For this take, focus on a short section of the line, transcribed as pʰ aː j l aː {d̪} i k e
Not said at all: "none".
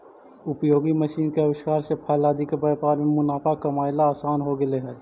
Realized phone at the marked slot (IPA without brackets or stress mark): d̪